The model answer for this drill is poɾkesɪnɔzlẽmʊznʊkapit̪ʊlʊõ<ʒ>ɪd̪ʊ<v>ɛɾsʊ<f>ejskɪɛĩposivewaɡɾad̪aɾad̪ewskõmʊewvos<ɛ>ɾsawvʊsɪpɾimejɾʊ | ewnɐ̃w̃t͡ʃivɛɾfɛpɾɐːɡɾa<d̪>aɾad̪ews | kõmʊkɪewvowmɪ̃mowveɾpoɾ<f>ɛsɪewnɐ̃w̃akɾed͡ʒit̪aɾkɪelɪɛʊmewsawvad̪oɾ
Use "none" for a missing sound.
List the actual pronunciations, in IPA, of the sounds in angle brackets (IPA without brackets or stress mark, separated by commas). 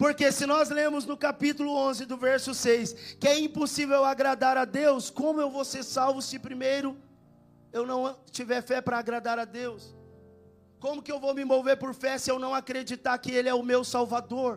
z, v, s, e, d̪, f